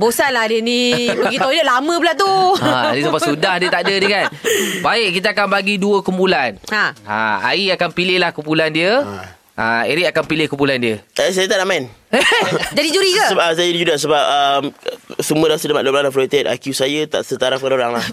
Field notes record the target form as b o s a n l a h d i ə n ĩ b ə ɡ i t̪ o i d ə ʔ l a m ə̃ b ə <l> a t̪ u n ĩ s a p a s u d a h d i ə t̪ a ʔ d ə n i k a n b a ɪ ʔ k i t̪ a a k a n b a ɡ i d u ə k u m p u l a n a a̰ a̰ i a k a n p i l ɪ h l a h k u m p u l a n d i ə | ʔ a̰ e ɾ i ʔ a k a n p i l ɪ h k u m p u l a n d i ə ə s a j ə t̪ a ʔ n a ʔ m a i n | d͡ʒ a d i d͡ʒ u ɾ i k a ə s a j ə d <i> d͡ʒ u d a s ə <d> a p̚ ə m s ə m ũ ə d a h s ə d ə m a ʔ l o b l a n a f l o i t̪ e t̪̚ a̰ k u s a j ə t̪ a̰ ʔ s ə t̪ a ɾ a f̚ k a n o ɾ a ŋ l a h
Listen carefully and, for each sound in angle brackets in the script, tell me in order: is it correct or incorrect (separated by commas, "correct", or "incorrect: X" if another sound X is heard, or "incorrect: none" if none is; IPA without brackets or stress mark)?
correct, correct, incorrect: b